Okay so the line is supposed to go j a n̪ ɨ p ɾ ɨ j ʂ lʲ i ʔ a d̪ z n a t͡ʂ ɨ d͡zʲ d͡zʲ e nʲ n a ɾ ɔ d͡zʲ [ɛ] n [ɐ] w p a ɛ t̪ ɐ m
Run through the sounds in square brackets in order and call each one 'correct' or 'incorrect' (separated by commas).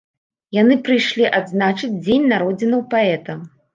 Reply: incorrect, correct